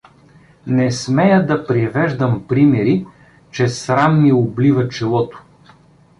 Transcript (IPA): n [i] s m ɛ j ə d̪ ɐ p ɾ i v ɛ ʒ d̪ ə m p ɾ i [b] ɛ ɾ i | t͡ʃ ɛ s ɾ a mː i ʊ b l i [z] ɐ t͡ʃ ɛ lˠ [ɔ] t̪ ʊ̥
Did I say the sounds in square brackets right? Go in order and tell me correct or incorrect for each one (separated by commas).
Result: incorrect, incorrect, incorrect, correct